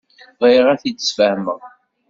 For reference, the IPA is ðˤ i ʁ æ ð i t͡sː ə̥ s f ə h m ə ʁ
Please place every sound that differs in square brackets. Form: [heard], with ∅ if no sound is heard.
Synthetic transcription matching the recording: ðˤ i ʁ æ [θ] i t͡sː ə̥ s f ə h m ə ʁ